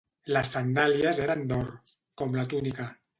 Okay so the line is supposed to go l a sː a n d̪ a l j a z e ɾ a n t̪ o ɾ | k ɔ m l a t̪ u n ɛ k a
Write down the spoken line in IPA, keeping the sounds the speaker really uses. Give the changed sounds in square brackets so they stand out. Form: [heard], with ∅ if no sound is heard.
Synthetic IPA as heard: l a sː a n d̪ a l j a z e ɾ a n [d̪] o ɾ | k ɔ m l a t̪ u n [i] k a